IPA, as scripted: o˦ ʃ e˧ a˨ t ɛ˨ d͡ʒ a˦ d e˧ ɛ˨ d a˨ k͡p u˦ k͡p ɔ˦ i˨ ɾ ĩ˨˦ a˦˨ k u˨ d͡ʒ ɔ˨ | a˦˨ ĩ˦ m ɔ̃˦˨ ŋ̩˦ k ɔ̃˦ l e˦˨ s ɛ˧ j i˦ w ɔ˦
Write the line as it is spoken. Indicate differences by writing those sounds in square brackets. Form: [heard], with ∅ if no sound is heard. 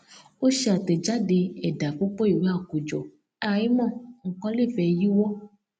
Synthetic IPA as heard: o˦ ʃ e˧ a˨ t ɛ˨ d͡ʒ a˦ d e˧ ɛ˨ d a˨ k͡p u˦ k͡p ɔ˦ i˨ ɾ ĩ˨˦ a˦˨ k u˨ d͡ʒ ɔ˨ | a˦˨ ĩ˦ m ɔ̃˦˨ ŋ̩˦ k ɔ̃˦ l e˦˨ [f] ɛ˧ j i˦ w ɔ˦